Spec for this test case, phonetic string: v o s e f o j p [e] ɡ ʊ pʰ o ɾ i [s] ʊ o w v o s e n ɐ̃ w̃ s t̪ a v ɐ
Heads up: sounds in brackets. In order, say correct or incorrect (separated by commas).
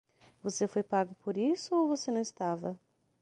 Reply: incorrect, correct